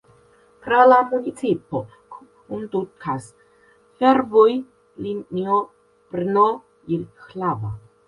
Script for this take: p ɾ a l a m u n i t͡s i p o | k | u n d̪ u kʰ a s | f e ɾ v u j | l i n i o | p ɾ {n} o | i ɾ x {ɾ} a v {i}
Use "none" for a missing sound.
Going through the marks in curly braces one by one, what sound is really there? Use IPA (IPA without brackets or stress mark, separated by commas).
n, l, a